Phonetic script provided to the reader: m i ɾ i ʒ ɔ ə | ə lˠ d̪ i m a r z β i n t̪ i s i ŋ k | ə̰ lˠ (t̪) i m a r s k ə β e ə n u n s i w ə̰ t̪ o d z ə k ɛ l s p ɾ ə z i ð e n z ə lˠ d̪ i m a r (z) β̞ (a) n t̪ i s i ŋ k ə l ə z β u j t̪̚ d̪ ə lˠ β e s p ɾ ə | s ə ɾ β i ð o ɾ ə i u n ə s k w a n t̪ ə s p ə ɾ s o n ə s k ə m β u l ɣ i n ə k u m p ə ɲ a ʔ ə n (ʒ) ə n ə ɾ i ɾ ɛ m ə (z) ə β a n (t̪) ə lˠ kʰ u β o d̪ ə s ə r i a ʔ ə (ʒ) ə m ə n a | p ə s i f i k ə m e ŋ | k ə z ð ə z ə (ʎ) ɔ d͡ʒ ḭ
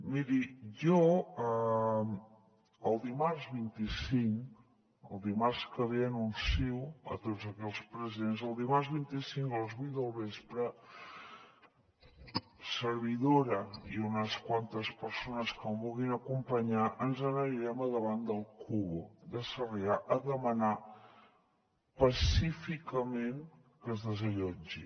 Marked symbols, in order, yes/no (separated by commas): no, yes, no, no, no, no, no, yes